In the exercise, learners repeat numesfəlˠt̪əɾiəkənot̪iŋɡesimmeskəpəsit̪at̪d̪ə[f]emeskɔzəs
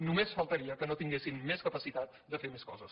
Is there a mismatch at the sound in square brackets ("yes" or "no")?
no